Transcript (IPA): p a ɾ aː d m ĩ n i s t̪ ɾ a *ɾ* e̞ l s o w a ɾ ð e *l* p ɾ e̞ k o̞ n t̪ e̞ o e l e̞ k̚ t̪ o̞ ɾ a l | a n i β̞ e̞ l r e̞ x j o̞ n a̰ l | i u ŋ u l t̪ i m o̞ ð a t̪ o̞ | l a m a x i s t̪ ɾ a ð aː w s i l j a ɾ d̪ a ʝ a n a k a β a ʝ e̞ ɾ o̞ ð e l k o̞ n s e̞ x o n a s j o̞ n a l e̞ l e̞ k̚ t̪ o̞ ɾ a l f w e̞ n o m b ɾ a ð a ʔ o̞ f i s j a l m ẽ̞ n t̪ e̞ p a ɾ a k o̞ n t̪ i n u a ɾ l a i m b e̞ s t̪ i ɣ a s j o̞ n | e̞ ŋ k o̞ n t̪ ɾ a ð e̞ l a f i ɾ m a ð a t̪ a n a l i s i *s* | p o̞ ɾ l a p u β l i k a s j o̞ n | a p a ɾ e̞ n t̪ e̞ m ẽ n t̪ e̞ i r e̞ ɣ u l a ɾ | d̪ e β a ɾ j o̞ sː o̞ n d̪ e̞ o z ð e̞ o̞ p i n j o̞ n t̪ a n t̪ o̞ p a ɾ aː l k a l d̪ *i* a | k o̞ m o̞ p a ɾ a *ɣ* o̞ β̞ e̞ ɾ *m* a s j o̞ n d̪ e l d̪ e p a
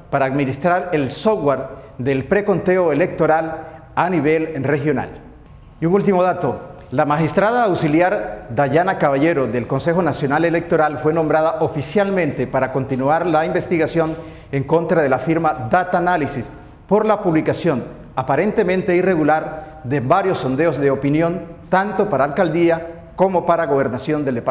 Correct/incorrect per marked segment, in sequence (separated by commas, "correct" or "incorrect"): correct, correct, correct, correct, correct, incorrect